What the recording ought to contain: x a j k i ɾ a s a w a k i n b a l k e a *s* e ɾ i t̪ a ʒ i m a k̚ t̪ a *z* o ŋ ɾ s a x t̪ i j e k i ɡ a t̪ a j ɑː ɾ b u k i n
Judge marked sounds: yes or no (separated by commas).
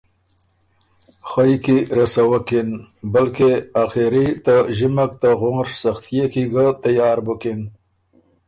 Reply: no, no